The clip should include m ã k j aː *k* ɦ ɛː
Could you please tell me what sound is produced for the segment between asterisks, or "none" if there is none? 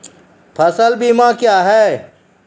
none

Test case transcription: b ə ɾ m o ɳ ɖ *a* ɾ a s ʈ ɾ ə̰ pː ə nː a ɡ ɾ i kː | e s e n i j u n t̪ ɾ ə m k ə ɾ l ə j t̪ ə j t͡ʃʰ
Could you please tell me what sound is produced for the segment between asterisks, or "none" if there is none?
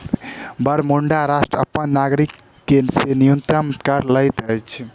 a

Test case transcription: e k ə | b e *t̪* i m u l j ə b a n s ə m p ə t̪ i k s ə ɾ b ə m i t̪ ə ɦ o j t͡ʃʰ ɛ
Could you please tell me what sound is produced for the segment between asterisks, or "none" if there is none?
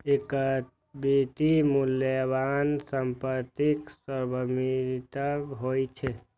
t̪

